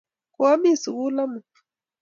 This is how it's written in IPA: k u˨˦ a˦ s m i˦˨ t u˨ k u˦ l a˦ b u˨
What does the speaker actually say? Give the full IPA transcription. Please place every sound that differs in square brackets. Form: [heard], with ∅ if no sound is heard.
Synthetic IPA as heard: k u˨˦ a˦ [∅] m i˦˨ [s] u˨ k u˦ l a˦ [m] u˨